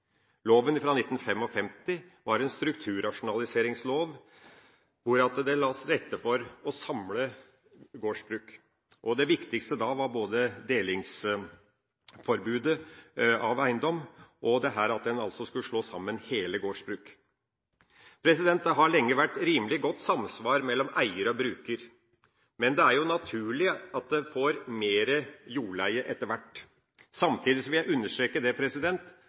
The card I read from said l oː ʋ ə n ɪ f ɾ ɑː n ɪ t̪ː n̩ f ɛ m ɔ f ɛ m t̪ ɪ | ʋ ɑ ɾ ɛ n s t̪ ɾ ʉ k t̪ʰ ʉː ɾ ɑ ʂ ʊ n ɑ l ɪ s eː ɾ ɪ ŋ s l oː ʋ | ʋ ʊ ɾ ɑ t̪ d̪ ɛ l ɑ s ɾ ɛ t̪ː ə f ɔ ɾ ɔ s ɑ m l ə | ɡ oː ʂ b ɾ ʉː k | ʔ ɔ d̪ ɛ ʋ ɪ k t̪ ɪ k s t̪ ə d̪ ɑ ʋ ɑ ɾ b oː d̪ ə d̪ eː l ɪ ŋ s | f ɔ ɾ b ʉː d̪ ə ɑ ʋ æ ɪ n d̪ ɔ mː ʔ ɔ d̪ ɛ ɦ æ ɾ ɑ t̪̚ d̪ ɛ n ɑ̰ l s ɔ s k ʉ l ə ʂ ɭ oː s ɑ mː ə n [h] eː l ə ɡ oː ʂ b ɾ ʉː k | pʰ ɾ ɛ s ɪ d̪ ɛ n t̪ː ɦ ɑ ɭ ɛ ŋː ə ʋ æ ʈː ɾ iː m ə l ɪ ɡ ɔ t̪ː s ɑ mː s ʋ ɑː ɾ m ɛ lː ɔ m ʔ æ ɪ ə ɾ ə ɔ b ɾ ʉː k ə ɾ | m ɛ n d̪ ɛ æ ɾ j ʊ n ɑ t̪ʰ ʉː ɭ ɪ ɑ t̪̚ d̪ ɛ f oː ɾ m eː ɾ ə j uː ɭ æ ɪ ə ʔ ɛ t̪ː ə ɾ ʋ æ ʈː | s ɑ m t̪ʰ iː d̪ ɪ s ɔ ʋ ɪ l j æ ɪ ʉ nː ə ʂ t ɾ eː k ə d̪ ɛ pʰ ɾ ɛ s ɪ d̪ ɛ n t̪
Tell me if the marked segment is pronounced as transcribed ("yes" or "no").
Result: yes